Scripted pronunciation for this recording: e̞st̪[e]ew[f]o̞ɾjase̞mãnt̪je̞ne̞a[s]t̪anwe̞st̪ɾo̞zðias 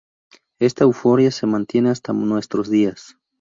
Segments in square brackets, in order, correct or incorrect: incorrect: a, correct, correct

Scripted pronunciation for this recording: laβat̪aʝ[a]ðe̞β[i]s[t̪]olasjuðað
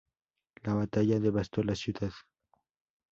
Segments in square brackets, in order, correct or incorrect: correct, incorrect: a, correct

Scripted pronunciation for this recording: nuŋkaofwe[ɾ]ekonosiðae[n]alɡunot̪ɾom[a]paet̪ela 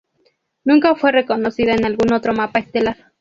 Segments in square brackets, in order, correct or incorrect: incorrect: r, correct, correct

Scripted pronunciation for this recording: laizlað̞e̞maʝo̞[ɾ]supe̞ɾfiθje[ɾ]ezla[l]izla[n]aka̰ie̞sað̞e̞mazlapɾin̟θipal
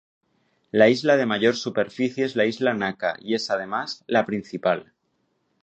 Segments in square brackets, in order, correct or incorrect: correct, incorrect: none, incorrect: none, correct

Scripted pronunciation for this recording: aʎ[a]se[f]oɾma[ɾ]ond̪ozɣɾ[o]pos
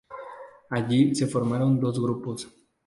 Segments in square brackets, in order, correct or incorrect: incorrect: i, correct, correct, incorrect: u

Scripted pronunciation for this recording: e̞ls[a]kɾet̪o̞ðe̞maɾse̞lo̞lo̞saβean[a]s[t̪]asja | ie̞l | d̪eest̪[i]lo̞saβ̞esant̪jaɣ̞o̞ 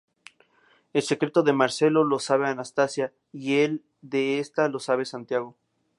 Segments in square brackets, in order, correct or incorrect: incorrect: e, correct, correct, incorrect: a

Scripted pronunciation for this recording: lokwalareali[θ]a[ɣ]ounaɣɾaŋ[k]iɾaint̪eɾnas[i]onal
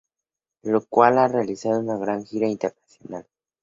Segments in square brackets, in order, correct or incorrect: incorrect: s, incorrect: ð, incorrect: x, incorrect: j

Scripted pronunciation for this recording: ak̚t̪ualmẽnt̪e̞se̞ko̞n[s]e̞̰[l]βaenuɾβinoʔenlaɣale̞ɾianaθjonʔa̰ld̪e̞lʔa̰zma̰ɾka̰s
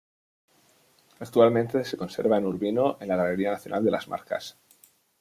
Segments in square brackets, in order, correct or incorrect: correct, incorrect: ɾ

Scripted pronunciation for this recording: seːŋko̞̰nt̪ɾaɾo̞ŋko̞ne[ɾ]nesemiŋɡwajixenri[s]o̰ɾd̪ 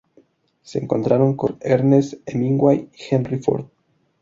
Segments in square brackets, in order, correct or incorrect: correct, incorrect: f

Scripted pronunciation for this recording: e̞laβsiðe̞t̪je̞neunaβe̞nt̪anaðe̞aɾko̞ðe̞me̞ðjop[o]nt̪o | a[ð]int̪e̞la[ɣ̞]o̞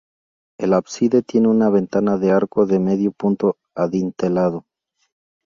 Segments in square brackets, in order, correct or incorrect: incorrect: u, correct, incorrect: ð̞

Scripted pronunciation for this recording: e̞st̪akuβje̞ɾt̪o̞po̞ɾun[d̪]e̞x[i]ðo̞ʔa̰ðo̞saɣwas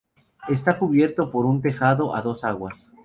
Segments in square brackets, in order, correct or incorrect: incorrect: t̪, incorrect: a

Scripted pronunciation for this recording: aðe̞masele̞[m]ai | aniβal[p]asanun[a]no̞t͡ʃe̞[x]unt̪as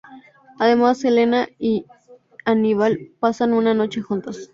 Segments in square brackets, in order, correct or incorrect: incorrect: n, correct, correct, correct

